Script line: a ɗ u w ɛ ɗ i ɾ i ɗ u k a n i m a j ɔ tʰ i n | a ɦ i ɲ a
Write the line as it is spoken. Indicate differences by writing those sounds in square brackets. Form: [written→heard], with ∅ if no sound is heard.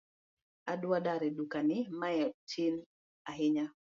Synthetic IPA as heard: a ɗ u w [ɛ→a] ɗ [i→a] ɾ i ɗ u k a n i m a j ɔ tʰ i n | a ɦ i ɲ a